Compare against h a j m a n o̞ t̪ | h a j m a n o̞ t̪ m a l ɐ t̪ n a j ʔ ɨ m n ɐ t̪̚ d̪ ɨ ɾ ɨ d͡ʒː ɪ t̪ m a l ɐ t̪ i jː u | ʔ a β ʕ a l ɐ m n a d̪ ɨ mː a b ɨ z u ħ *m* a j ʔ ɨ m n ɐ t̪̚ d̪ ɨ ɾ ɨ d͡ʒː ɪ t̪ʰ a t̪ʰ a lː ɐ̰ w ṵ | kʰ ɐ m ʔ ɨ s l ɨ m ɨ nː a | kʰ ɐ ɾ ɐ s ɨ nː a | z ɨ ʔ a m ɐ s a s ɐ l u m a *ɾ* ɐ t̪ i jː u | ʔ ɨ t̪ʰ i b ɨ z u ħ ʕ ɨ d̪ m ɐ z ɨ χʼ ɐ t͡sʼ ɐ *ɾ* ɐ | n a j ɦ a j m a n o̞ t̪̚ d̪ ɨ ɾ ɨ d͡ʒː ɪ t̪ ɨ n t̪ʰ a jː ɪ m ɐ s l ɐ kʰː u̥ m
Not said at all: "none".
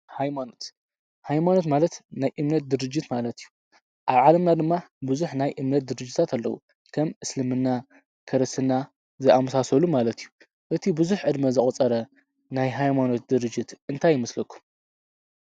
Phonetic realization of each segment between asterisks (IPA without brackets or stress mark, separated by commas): n, l, ɾ